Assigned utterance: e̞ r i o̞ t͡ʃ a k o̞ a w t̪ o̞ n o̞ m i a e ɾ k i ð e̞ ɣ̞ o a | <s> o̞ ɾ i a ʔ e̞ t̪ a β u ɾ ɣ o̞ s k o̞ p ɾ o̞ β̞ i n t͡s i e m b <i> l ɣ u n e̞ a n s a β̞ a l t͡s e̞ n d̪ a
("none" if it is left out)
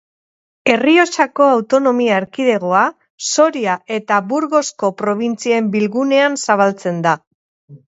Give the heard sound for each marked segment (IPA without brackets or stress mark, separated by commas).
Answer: s, i